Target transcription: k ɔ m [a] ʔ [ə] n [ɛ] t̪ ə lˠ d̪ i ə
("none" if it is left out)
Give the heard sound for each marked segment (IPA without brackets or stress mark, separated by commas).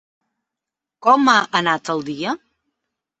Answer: a, ə, a